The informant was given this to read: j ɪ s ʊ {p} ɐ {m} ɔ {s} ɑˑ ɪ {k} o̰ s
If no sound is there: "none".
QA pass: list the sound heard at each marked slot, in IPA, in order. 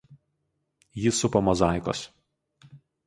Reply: p, m, z, k

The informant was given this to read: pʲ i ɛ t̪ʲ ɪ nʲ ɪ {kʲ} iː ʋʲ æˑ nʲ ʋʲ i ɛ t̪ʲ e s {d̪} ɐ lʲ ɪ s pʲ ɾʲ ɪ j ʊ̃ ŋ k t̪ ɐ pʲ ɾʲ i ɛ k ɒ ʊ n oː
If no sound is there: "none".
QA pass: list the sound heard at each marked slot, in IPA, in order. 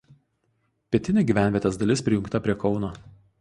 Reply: ɡʲ, d̪

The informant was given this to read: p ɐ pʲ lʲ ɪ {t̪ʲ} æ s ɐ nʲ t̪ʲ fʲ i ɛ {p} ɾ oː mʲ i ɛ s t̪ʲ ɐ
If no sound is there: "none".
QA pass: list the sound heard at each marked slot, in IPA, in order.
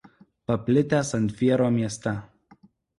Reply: t̪ʲ, none

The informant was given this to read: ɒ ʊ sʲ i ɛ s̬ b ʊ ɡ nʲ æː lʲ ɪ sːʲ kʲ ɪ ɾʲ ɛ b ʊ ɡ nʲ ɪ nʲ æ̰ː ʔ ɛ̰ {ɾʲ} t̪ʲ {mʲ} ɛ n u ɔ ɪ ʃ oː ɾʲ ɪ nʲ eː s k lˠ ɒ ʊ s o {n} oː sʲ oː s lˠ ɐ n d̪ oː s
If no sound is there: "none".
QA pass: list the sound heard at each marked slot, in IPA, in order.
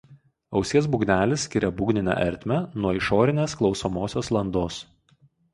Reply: ɾʲ, mʲ, m

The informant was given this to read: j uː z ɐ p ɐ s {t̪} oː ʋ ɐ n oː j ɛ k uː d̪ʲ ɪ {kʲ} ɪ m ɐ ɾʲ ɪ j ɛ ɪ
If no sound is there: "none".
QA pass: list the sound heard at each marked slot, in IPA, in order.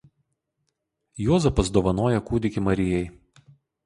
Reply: d̪, kʲ

